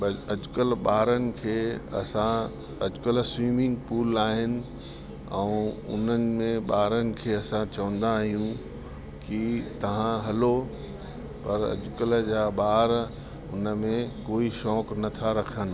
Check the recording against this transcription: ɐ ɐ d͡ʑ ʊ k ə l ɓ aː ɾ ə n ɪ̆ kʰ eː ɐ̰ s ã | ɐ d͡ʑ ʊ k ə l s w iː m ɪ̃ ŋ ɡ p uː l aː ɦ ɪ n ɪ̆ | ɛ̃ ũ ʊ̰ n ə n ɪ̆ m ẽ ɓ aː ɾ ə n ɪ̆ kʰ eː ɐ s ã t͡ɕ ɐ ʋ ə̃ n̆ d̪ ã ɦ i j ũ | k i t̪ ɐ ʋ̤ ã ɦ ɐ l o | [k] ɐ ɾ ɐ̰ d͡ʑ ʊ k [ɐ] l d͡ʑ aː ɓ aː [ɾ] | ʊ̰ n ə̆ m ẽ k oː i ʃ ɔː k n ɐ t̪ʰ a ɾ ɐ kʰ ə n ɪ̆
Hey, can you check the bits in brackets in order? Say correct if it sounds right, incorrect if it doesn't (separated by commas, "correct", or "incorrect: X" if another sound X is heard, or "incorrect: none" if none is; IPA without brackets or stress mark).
incorrect: p, incorrect: ə, correct